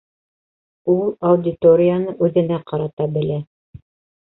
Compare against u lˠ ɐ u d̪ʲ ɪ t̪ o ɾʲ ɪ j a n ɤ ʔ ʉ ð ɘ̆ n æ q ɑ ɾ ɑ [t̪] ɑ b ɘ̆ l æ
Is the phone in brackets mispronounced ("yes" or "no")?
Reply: no